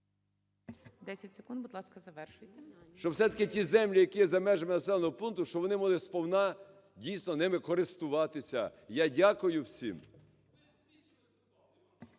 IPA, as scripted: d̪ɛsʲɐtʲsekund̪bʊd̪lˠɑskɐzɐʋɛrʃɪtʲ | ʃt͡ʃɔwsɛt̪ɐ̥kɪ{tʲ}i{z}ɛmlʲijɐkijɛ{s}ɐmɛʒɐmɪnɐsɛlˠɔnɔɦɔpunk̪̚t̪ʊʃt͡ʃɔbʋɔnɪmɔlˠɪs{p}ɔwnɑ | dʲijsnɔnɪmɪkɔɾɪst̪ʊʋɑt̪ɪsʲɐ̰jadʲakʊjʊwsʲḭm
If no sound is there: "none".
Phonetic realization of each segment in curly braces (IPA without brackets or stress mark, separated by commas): tʲ, z, z, p